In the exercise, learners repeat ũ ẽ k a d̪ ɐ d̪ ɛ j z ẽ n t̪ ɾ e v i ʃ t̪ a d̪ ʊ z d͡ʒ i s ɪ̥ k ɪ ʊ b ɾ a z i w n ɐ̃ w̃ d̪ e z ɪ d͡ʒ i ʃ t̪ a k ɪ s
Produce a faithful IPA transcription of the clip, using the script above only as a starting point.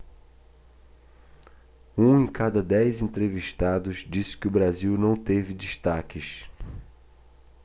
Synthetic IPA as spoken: ũ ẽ k a d̪ ɐ d̪ ɛ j z ẽ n t̪ ɾ e v i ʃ t̪ a d̪ ʊ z d͡ʒ i s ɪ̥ k ɪ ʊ b ɾ a z i w n ɐ̃ w̃ t̪ e v ɪ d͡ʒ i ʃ t̪ a k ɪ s

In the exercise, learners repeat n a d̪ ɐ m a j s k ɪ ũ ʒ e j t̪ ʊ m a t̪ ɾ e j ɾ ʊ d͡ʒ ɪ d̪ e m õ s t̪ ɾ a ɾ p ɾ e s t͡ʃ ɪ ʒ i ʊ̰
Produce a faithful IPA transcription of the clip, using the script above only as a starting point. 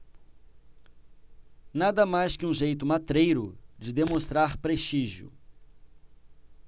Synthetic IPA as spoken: n a d̪ ɐ m a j s k ɪ ũ ʒ e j t̪ ʊ m a t̪ ɾ e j ɾ ʊ d͡ʒ ɪ d̪ e m õ s t̪ ɾ a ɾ p ɾ e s t͡ʃ i ʒ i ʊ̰

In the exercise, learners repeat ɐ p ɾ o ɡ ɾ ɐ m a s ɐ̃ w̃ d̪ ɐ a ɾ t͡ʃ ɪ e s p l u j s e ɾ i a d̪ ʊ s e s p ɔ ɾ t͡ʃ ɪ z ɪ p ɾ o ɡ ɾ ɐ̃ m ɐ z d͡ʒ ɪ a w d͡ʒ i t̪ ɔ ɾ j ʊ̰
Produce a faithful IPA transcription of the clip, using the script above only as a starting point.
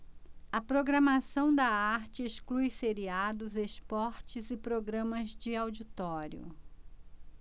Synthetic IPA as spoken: ɐ p ɾ o ɡ ɾ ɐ m a s ɐ̃ w̃ d̪ ɐ a ɾ t͡ʃ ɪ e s k l u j s e ɾ i a d̪ ʊ z e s p ɔ ɾ t͡ʃ ɪ z ɪ p ɾ o ɡ ɾ ɐ̃ m ɐ z d͡ʒ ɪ a w d͡ʒ i t̪ ɔ ɾ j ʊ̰

